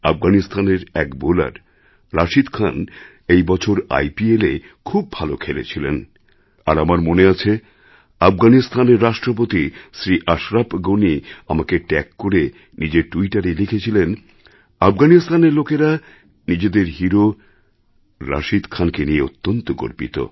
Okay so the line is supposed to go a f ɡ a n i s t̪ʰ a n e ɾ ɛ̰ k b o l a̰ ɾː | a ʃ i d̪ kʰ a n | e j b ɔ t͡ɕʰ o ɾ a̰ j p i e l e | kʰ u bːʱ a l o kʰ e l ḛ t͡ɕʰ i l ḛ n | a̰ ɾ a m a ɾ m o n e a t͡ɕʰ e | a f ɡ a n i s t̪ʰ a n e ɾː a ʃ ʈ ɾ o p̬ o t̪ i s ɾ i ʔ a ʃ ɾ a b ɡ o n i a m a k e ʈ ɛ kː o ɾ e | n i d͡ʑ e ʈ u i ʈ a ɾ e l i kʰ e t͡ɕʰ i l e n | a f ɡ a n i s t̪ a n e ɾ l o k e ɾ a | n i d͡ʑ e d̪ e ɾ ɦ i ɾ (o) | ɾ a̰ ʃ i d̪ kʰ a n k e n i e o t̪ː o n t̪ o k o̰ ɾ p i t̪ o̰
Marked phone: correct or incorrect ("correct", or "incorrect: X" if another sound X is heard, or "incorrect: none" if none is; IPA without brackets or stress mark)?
correct